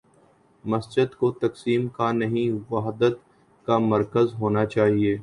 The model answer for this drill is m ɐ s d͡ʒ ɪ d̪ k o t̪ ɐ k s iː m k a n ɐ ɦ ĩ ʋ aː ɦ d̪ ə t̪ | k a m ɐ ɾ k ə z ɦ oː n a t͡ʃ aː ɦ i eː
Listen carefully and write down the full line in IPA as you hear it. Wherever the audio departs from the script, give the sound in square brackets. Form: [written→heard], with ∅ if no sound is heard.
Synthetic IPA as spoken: m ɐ s d͡ʒ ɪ d̪ k o t̪ ɐ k s iː m k a n ɐ ɦ ĩ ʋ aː ɦ d̪ ə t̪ | k a m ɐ ɾ k ə z ɦ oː n a t͡ʃ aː ɦ i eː

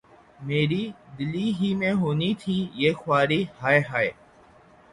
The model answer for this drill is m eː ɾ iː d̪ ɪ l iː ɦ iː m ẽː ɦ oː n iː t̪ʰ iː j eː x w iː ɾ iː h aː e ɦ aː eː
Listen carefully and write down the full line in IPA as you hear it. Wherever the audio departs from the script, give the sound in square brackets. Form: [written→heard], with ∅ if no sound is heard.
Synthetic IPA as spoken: m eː ɾ iː d̪ ɪ l iː ɦ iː m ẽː ɦ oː n iː t̪ʰ iː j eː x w [iː→aː] ɾ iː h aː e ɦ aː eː

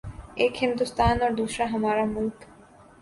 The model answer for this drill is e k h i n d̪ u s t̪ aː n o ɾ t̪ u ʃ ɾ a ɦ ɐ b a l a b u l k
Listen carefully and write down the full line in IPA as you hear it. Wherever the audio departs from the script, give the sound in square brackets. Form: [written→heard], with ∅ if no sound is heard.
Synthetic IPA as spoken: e k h i n d̪ u s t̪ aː n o ɾ [t̪→d̪] u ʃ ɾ a ɦ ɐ [b→m] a [l→ɾ] a [b→m] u l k

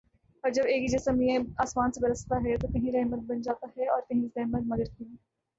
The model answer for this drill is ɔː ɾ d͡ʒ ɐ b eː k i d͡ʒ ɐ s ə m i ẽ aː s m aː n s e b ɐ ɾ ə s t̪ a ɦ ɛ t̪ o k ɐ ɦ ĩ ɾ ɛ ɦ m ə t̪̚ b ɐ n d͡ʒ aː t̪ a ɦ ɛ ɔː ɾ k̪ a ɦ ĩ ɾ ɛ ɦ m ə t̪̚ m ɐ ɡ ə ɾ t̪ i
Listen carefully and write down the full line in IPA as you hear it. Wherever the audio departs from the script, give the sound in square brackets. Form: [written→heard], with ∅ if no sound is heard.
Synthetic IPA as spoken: ɔː ɾ d͡ʒ ɐ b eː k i d͡ʒ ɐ s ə m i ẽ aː s m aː n s e b ɐ ɾ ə s t̪ a ɦ ɛ t̪ o k ɐ ɦ ĩ ɾ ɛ ɦ m ə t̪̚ b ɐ n d͡ʒ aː t̪ a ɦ ɛ ɔː ɾ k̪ [a→ɐ] ɦ ĩ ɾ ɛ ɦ m ə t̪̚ m ɐ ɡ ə ɾ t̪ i

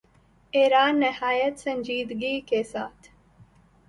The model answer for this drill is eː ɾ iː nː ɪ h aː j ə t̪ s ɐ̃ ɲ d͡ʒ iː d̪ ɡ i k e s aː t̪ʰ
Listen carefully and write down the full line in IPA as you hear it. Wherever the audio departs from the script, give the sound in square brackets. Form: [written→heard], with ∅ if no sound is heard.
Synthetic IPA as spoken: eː ɾ [iː→aː] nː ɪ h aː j ə t̪ s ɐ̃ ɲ d͡ʒ iː d̪ ɡ i k e s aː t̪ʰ

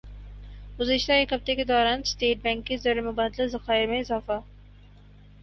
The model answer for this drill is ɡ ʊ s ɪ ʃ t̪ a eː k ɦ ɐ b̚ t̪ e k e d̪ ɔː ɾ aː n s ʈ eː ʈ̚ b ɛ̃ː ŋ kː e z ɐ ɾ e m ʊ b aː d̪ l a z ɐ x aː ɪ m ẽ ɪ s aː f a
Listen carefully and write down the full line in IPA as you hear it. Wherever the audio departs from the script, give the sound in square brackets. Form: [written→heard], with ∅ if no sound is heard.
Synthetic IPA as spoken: ɡ ʊ [s→z] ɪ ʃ t̪ a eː k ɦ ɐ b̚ t̪ e k e d̪ ɔː ɾ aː n s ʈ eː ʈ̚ b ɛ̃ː ŋ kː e z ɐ ɾ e m ʊ b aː d̪ l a z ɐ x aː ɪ m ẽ ɪ [s→z] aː f a

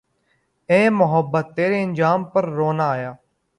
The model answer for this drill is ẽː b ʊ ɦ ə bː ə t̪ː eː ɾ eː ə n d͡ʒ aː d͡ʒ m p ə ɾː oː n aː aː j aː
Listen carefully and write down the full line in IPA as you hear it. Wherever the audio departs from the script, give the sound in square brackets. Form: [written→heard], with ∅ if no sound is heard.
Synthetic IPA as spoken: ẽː [b→m] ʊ ɦ ə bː ə t̪ː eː ɾ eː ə n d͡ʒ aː [d͡ʒ→∅] m p ə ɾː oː n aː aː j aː

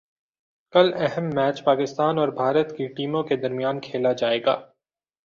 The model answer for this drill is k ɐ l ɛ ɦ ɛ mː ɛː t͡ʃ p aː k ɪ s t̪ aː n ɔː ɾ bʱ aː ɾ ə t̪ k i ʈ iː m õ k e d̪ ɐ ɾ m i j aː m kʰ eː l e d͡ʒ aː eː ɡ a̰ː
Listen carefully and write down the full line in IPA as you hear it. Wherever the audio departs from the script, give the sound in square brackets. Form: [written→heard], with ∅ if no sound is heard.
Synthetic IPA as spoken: k ɐ l ɛ ɦ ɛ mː ɛː t͡ʃ p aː k ɪ s t̪ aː n ɔː ɾ bʱ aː ɾ ə t̪ k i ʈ iː m õ k e d̪ ɐ ɾ m i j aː [m→n] kʰ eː l [e→a] d͡ʒ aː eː ɡ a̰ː

